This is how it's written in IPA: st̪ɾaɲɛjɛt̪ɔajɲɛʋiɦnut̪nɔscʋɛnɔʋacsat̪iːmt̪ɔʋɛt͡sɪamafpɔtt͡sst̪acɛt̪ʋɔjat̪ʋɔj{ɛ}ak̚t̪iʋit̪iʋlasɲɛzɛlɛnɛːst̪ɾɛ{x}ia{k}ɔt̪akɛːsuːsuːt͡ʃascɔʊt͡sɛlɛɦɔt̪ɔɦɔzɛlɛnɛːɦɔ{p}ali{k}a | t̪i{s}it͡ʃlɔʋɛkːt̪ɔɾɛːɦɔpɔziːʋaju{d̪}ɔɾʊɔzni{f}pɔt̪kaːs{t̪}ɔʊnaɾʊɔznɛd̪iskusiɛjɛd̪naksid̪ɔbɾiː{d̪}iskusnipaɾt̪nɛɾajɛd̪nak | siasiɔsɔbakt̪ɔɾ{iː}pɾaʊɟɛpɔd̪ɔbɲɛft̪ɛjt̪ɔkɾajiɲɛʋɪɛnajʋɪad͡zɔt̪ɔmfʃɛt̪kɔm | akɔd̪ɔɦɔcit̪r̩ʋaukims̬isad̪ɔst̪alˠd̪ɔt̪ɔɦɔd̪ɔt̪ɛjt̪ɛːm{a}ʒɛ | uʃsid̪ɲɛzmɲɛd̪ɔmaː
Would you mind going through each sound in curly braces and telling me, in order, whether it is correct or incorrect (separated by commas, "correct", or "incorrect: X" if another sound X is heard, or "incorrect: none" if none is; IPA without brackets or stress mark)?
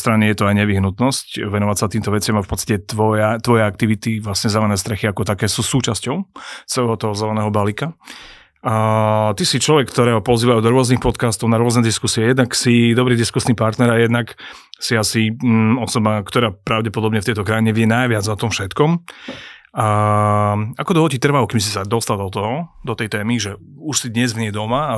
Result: correct, correct, correct, incorrect: b, correct, correct, correct, incorrect: x, correct, correct, incorrect: aː, incorrect: i